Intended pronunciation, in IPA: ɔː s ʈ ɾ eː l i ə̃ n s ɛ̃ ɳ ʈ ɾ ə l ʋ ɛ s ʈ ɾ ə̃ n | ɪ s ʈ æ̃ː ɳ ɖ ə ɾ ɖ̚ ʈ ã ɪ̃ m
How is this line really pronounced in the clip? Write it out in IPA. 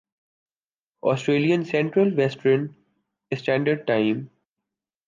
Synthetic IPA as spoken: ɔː s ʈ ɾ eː l i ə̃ n s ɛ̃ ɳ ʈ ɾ ə l ʋ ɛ s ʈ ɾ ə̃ n | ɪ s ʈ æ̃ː ɳ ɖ ə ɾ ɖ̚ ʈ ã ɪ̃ m